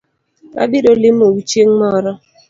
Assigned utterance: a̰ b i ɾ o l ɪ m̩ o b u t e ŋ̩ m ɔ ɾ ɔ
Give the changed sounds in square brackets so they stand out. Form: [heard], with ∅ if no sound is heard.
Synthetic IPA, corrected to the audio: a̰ b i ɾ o l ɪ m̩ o [w] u [t͡ʃ] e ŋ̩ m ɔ ɾ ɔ